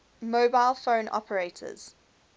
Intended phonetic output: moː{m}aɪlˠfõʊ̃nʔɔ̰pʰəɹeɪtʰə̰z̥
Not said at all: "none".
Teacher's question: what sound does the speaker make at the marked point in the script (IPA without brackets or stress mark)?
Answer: b